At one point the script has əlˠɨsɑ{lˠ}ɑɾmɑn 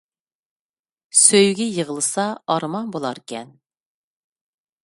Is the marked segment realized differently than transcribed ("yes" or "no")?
yes